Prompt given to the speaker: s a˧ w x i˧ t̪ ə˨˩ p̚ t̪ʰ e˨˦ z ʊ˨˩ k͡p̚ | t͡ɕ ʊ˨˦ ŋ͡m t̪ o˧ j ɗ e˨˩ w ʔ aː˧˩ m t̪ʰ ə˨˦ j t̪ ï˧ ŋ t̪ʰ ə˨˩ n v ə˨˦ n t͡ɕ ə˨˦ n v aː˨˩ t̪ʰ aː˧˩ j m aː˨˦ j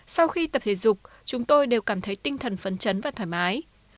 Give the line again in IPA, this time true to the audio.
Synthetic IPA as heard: s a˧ w x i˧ t̪ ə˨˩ p̚ t̪ʰ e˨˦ z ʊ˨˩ k͡p̚ | t͡ɕ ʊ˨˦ ŋ͡m t̪ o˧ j ɗ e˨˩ w k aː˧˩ m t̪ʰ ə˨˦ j t̪ ï˧ ŋ t̪ʰ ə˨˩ n f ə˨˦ n t͡ɕ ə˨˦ n v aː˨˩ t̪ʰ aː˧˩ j m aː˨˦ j

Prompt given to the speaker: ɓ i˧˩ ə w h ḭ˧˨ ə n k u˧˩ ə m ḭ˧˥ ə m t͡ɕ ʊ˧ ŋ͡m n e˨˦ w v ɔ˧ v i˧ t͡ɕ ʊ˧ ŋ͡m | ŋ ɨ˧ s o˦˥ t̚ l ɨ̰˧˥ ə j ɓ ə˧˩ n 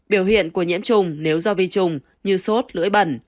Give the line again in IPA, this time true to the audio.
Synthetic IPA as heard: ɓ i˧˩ ə w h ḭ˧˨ ə n k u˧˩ ə ɲ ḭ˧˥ ə m t͡ɕ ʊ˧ ŋ͡m n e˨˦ w z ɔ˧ v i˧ t͡ɕ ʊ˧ ŋ͡m | ɲ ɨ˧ s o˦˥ t̚ l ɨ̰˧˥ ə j ɓ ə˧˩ n

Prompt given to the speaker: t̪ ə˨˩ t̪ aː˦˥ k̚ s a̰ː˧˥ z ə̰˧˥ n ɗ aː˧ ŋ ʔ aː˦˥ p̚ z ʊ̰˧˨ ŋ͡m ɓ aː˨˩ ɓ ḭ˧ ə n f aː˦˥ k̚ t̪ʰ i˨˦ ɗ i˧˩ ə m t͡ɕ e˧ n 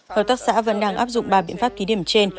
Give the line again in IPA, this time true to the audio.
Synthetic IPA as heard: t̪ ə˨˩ t̪ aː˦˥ k̚ s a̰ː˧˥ v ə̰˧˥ n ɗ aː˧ ŋ ʔ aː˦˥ p̚ z ʊ̰˧˨ ŋ͡m ɓ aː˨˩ ɓ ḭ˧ ə n f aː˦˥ p̚ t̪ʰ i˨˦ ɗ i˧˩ ə m t͡ɕ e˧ n

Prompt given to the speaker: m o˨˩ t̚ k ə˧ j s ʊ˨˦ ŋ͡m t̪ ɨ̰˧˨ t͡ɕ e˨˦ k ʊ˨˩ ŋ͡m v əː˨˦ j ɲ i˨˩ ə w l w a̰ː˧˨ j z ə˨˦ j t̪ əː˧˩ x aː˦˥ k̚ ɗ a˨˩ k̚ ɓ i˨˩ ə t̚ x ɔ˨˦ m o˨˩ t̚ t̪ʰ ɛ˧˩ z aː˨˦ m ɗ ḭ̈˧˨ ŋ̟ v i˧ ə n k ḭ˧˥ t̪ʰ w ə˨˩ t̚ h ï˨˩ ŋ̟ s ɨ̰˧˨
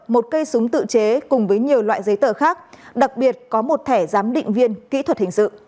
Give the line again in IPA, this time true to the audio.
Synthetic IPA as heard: m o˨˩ t̚ k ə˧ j s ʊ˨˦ ŋ͡m t̪ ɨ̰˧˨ t͡ɕ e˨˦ k ʊ˨˩ ŋ͡m v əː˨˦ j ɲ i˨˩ ə w l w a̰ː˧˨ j z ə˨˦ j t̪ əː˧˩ x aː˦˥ k̚ ɗ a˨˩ k̚ ɓ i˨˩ ə t̚ k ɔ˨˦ m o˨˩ t̚ t̪ʰ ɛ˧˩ z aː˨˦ m ɗ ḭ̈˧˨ ŋ̟ v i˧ ə n k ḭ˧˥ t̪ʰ w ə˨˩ t̚ h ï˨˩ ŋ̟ s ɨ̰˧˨

